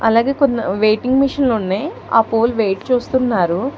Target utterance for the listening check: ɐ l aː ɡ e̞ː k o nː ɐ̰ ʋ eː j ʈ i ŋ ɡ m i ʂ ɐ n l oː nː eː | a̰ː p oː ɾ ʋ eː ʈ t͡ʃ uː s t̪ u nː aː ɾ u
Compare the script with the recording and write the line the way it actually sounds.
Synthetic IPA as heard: ɐ l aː ɡ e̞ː k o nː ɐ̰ ʋ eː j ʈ i ŋ ɡ m i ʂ ɐ n l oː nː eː | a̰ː p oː l ʋ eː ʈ t͡ʃ uː s t̪ u nː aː ɾ u